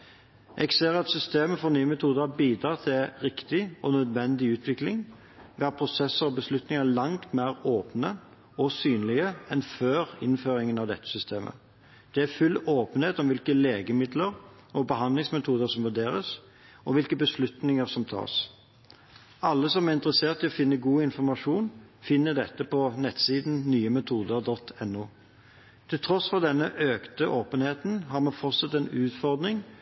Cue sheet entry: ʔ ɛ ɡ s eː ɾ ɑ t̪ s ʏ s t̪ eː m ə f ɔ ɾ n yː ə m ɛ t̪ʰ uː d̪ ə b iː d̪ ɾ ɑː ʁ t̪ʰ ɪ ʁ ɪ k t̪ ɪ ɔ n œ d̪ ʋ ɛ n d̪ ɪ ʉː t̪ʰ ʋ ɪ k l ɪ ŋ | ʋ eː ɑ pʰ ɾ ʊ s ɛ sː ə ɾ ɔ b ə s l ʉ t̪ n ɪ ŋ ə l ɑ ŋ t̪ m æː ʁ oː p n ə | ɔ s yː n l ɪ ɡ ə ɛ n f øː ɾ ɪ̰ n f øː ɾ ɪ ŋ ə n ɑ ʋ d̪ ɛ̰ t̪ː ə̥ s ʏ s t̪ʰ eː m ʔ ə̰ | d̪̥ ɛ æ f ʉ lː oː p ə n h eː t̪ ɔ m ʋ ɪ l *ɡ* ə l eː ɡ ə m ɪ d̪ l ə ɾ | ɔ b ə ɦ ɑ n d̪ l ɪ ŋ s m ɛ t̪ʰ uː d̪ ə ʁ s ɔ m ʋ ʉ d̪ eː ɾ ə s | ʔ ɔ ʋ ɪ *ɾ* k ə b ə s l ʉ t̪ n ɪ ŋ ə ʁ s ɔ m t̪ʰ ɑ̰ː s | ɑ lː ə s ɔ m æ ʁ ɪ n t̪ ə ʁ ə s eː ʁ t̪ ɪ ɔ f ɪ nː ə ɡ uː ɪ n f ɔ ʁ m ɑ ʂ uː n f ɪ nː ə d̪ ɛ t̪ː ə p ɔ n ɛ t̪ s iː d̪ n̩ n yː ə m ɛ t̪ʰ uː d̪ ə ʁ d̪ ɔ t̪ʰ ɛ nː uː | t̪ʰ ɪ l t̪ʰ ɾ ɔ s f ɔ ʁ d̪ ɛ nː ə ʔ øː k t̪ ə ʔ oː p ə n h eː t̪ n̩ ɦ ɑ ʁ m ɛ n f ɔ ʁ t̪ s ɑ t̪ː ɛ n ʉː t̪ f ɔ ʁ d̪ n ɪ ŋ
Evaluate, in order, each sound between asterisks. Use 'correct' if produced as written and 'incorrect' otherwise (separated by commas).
incorrect, incorrect